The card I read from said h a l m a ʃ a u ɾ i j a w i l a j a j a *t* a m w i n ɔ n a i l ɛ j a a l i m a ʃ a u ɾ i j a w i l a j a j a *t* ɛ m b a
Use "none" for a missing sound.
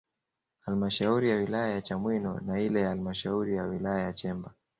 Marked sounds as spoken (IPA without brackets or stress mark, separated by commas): t͡ʃ, t͡ʃ